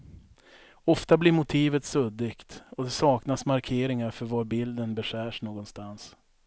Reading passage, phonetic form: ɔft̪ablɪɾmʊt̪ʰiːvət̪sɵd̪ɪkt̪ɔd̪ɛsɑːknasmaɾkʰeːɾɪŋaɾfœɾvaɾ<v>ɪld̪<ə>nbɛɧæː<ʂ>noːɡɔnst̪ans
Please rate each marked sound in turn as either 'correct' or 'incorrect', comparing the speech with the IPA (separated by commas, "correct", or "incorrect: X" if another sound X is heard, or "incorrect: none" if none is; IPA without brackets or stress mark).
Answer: incorrect: b, correct, correct